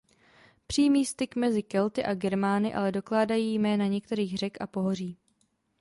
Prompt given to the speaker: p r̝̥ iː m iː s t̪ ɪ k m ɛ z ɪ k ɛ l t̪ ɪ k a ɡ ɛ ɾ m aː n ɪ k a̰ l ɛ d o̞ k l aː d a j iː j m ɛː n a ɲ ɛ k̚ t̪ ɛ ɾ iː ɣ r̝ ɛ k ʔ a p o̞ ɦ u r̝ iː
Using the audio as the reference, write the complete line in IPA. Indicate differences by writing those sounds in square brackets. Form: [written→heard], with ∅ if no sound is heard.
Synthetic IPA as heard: p r̝̥ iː m iː s t̪ ɪ k m ɛ z ɪ k ɛ l t̪ ɪ [k→ʔ] a ɡ ɛ ɾ m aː n ɪ [k→ʔ] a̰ l ɛ d o̞ k l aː d a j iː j m ɛː n a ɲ ɛ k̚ t̪ ɛ ɾ iː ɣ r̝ ɛ k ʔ a p o̞ ɦ [u→o] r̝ iː